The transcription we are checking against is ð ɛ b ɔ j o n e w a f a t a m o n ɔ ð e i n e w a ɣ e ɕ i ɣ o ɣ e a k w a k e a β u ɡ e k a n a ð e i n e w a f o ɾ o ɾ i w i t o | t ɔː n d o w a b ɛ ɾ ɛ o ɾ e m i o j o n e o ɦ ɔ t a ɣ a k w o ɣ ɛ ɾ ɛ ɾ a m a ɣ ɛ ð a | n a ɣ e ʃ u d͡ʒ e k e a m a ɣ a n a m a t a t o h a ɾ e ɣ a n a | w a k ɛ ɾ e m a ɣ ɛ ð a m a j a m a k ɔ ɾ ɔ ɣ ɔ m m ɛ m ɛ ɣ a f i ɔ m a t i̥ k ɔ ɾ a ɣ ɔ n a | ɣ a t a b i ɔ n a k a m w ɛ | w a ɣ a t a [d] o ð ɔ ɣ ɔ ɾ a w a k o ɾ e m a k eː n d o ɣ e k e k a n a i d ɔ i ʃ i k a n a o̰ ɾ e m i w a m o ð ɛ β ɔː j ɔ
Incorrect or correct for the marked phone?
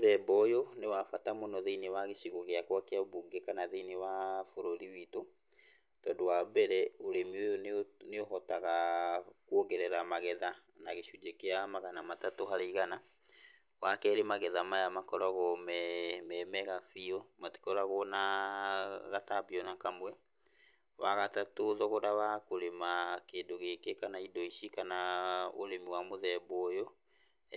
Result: incorrect: t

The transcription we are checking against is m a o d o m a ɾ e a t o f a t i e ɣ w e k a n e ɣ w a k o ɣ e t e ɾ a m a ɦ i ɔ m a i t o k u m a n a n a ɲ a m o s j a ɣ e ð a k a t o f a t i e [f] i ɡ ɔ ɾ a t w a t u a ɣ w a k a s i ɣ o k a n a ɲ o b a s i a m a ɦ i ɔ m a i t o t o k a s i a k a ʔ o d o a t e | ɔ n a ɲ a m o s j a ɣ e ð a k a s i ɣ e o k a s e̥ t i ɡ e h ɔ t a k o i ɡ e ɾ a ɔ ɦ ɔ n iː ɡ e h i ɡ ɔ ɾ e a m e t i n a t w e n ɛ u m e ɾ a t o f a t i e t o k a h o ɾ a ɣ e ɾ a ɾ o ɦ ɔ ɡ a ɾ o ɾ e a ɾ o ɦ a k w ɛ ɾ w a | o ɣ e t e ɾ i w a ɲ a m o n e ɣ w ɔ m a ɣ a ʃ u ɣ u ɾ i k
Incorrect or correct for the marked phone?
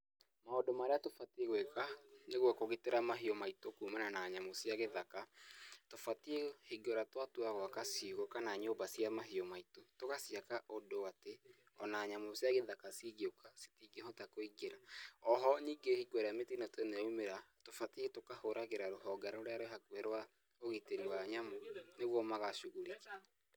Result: incorrect: h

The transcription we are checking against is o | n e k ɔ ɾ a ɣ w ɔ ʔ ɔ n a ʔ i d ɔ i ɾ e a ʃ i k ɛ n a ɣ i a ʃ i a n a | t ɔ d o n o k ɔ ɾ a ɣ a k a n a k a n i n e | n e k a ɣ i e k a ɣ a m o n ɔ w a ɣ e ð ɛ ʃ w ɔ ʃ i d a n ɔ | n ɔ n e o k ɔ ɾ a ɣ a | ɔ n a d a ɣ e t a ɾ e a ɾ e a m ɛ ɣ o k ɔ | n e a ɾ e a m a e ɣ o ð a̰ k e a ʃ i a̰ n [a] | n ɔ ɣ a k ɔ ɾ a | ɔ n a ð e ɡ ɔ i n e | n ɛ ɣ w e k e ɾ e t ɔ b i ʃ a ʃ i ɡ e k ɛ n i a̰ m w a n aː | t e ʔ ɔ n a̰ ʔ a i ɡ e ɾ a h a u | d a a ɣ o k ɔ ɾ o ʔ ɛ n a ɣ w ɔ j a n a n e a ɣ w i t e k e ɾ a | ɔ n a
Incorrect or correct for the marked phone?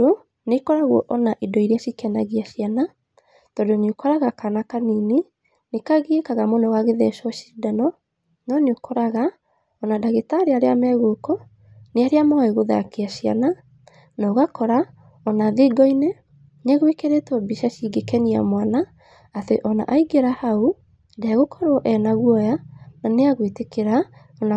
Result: correct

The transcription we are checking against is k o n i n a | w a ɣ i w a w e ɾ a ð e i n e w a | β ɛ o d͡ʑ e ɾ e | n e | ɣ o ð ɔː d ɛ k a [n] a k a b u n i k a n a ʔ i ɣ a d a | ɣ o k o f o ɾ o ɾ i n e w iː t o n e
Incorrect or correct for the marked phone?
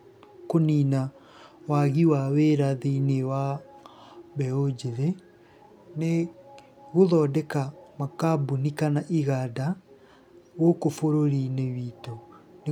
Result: incorrect: m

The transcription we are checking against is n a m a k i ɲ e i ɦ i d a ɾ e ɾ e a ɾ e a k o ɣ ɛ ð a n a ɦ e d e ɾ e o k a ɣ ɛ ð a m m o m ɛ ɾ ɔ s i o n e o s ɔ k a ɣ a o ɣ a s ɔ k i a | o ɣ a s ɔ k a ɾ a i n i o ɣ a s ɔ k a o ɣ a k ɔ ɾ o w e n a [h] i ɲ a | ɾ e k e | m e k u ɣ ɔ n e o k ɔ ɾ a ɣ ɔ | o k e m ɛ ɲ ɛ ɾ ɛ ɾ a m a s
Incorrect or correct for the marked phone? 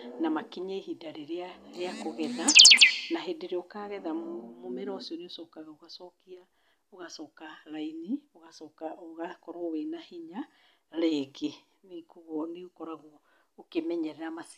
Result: correct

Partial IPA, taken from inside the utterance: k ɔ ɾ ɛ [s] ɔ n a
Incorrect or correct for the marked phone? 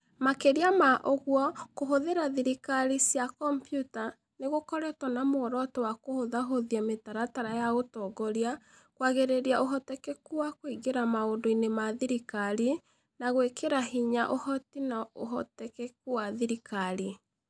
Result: incorrect: t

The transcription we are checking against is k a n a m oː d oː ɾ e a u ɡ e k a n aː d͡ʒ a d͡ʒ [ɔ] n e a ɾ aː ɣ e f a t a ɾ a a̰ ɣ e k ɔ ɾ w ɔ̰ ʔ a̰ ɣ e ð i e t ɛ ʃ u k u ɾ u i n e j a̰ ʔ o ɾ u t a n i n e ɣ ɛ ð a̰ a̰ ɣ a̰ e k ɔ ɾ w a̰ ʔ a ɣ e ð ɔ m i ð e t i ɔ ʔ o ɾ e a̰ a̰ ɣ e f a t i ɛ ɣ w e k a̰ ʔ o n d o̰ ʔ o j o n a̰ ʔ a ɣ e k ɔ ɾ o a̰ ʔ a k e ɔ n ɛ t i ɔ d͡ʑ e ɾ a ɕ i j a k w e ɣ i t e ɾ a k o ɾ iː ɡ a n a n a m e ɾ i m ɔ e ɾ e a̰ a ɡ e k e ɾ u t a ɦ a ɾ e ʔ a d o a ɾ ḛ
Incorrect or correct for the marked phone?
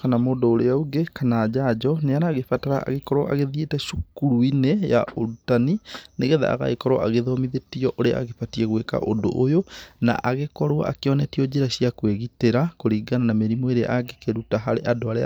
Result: correct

